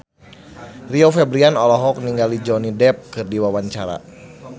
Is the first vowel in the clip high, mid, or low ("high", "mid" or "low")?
high